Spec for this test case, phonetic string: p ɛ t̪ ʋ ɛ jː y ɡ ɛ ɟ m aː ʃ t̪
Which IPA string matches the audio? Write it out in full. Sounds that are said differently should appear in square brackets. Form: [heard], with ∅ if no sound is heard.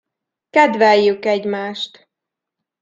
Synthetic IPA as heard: [k] ɛ [d̪] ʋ ɛ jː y [k] ɛ ɟ m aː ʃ t̪